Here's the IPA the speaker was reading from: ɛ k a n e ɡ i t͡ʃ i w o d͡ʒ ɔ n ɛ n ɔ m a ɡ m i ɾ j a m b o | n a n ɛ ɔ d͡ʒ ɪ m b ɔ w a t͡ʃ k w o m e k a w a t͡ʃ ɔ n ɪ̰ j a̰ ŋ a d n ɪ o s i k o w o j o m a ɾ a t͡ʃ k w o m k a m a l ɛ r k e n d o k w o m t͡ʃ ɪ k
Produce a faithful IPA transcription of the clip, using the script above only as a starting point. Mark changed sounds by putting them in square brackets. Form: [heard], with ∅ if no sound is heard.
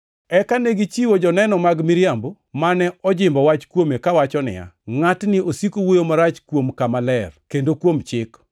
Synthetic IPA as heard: ɛ k a n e ɡ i t͡ʃ i w o d͡ʒ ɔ n ɛ n ɔ m a ɡ m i ɾ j a m b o | [m] a n ɛ ɔ d͡ʒ ɪ m b ɔ w a t͡ʃ k w o m e k a w a t͡ʃ ɔ n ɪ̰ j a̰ ŋ a [t] n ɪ o s i k o w o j o m a ɾ a t͡ʃ k w o m k a m a l ɛ r k e n d o k w o m t͡ʃ ɪ k

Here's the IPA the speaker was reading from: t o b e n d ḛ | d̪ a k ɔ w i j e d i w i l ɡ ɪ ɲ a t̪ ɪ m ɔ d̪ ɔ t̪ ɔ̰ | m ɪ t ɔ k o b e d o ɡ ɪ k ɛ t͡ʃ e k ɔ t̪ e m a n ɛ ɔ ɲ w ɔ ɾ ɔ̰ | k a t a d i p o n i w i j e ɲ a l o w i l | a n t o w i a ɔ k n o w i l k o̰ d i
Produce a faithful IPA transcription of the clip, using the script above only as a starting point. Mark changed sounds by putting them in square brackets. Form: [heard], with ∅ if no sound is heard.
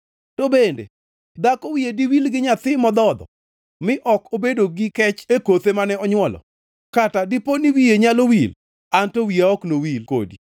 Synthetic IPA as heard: t o b e n d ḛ | d̪ a k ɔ w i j e d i w i l ɡ ɪ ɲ a t̪ ɪ m ɔ d̪ ɔ [d̪] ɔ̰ | m ɪ [ʔ] ɔ k o b e d o ɡ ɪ k ɛ t͡ʃ e k [o] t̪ e m a n ɛ ɔ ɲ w ɔ [l] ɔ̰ | k a t a d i p o n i w i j e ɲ a l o w i l | a n t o w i a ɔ k n o w i l k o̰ d i

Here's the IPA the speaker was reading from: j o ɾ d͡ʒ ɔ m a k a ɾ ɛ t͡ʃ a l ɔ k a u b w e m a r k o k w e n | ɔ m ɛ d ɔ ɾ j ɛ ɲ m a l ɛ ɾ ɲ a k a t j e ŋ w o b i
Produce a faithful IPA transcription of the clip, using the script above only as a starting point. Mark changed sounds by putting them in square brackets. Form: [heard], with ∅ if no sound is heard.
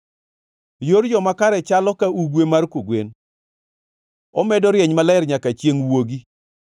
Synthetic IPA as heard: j o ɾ d͡ʒ ɔ m a k a ɾ ɛ t͡ʃ a l ɔ k a u [ɡ] w e m a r k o [ɡ] w e n | ɔ m ɛ d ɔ ɾ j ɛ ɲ m a l ɛ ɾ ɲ a k a [t͡ʃ] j e ŋ w o [ɡ] i

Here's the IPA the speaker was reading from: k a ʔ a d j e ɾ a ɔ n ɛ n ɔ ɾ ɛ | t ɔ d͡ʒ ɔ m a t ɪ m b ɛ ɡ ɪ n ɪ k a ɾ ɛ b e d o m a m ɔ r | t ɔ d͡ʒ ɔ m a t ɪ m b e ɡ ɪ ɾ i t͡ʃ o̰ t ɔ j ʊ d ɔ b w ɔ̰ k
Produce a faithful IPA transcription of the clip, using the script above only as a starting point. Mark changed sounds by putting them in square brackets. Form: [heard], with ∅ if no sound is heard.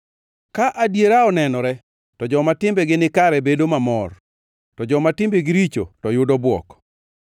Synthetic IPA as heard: k a ʔ a d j e ɾ a ɔ n ɛ n ɔ ɾ ɛ | t ɔ d͡ʒ ɔ m a t ɪ m b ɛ ɡ ɪ n ɪ k a ɾ ɛ b e d o m a m ɔ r | t ɔ d͡ʒ ɔ m a t ɪ m b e ɡ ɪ ɾ i t͡ʃ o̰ t ɔ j ʊ d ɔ b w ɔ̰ k

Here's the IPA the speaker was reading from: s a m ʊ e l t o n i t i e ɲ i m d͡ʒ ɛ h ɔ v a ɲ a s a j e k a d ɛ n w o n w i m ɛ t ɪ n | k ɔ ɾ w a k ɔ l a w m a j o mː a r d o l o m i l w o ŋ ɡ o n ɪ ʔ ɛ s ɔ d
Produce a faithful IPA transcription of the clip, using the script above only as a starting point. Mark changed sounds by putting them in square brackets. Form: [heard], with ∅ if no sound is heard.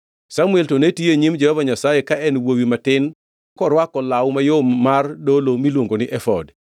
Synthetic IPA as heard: s a m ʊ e l t o n [e] t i e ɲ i m d͡ʒ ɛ h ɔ v a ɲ a s a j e k a [∅] ɛ n w o [∅] w i m [a] t ɪ n | k ɔ ɾ w a k ɔ l a w m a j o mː a r d o l o m i l w o ŋ ɡ o n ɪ ʔ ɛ [f] ɔ d

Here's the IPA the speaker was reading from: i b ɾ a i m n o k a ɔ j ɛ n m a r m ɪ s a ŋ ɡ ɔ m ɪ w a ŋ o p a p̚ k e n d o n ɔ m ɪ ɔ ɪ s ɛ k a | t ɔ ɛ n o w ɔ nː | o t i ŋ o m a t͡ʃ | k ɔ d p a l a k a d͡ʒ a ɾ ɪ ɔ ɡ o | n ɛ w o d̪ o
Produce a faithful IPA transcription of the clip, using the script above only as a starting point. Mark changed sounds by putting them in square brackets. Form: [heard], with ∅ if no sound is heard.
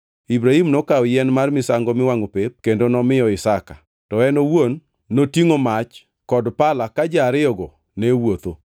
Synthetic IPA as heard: i b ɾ a i m n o k a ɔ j ɛ n m a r m ɪ s a ŋ ɡ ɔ m ɪ w a ŋ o p [e] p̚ k e n d o n ɔ m ɪ ɔ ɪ s [a] k a | t ɔ ɛ n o w [o] nː | o t i ŋ o m a t͡ʃ | k ɔ d p a l a k a d͡ʒ a ɾ ɪ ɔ ɡ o | n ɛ w o [t̪] o

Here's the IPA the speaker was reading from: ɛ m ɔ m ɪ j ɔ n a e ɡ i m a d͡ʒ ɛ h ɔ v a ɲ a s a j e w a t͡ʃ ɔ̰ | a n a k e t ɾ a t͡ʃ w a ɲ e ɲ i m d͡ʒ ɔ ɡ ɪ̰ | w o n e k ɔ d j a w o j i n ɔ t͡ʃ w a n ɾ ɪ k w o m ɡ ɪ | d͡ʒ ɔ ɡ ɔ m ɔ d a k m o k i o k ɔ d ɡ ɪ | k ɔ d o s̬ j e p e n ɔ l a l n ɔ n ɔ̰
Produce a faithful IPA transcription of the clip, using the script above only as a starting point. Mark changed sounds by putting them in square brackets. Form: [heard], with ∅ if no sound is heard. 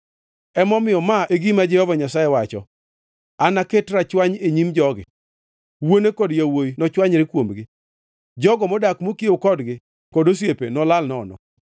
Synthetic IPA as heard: ɛ m ɔ m ɪ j ɔ [m] a e ɡ i m a d͡ʒ ɛ h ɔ v a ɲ a s a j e w a t͡ʃ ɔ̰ | a n a k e t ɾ a t͡ʃ w a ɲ e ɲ i m d͡ʒ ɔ ɡ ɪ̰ | w o n e k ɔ d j a w o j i n ɔ t͡ʃ w a [ɲ] ɾ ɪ k w o m ɡ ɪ | d͡ʒ ɔ ɡ ɔ m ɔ d a k m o k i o k ɔ d ɡ ɪ | k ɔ d o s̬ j e p e n ɔ l a l n ɔ n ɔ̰

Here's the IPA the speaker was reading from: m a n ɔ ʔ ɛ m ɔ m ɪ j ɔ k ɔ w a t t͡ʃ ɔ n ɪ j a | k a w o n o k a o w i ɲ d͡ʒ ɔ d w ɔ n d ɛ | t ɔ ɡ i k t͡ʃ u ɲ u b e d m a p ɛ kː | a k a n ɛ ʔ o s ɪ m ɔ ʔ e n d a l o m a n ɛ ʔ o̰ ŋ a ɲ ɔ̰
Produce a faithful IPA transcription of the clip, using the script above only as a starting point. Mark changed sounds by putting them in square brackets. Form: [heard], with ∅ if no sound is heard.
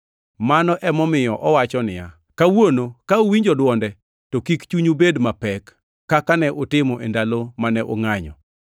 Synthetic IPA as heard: m a n ɔ ʔ ɛ m ɔ m ɪ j ɔ [ʔ] ɔ w a [∅] t͡ʃ ɔ n ɪ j a | k a w o n o k a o w i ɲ d͡ʒ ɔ d w ɔ n d ɛ | t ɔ [k] i k t͡ʃ u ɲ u b e d m a p ɛ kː | a k a n ɛ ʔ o [t] ɪ m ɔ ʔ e n d a l o m a n ɛ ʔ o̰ ŋ a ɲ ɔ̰

